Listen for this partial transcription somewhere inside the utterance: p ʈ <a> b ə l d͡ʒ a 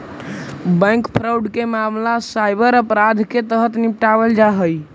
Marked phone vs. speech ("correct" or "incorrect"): correct